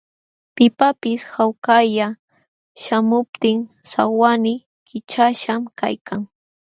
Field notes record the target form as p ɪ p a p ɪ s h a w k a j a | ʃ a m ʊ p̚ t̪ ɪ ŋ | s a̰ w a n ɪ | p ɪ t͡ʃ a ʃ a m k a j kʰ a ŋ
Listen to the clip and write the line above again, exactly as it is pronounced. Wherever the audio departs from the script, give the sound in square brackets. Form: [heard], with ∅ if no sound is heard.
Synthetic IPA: p ɪ p a p ɪ s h a w k a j a | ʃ a m ʊ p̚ t̪ ɪ ŋ | s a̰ w a n ɪ | [k] ɪ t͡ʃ a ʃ a m k a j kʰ a ŋ